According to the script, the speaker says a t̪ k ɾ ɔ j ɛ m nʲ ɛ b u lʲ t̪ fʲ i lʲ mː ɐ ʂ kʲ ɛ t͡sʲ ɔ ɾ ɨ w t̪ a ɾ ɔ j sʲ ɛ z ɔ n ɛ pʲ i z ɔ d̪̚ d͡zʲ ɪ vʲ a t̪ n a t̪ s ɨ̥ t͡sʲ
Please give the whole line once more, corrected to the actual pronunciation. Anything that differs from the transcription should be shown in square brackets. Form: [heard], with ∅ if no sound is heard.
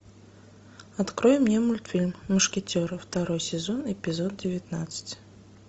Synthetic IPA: a t̪ k ɾ ɔ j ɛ m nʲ ɛ [m] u lʲ t̪ fʲ i lʲ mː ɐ ʂ kʲ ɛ t͡sʲ ɔ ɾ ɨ w t̪ a ɾ ɔ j sʲ ɛ z ɔ n ɛ pʲ i z ɔ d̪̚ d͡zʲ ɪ vʲ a t̪ n a t̪ s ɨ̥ t͡sʲ